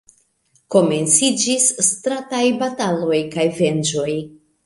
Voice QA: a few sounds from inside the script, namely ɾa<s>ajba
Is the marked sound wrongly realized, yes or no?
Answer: yes